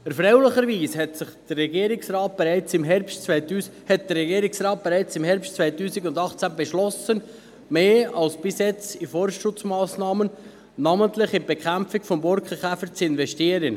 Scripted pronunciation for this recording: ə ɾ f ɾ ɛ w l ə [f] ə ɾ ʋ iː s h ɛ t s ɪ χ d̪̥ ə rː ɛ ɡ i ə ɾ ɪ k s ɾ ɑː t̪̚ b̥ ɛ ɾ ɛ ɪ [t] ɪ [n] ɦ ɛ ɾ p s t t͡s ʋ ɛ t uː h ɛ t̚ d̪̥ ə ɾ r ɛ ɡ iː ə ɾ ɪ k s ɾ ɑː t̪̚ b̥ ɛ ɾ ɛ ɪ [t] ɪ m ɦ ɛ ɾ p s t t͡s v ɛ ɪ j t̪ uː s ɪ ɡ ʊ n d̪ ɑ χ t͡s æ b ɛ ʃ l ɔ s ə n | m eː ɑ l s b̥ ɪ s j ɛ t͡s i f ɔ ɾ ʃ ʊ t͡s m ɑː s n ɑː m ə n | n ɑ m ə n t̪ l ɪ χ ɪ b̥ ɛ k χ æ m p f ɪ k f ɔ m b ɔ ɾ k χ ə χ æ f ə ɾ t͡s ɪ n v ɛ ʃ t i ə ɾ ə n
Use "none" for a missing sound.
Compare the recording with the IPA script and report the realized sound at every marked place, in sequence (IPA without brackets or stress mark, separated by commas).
χ, t͡s, m, t͡s